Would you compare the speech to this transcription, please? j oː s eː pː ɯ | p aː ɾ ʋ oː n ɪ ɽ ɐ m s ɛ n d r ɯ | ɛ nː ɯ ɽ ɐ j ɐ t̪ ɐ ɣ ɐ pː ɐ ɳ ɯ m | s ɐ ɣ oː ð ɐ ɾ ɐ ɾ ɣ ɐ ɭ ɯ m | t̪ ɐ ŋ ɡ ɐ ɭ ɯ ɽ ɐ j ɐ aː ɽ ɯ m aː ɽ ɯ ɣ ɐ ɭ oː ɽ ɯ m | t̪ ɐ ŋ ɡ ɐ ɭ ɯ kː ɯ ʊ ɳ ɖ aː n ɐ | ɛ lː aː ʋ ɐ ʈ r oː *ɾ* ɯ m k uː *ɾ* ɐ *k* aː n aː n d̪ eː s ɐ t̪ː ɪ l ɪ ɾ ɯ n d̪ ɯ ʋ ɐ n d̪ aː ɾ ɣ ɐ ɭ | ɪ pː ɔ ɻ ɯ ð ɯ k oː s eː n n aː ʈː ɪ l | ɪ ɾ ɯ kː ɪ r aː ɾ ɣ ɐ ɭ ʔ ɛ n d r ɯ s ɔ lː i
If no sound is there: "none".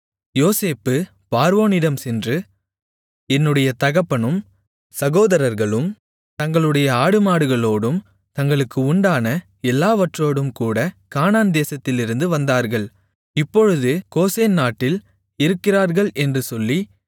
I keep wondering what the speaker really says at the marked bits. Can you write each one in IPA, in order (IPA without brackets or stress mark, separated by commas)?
ɽ, ɽ, k